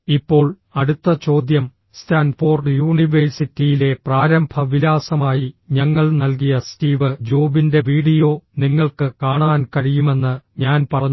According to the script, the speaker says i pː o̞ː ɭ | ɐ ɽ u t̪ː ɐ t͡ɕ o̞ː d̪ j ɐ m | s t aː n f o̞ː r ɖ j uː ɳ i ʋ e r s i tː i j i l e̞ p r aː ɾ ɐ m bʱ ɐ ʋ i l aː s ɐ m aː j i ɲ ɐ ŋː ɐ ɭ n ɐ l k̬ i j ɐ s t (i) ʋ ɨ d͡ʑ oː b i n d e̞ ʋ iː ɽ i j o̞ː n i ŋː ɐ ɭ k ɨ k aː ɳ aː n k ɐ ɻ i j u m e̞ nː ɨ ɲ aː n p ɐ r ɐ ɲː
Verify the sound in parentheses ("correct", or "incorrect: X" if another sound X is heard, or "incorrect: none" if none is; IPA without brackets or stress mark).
incorrect: iː